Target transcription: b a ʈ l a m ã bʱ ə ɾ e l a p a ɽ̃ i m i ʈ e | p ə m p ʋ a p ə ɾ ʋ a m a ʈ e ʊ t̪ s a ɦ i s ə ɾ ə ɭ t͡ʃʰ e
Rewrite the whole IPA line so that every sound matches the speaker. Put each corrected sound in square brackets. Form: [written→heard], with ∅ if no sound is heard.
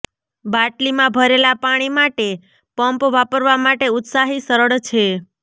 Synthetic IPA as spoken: b a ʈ l [a→i] m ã bʱ ə ɾ e l a p a ɽ̃ i m [i→a] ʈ e | p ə m p ʋ a p ə ɾ ʋ a m a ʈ e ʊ t̪ s a ɦ i s ə ɾ ə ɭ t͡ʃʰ e